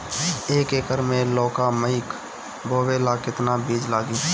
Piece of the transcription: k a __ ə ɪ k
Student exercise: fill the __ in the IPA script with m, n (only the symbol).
m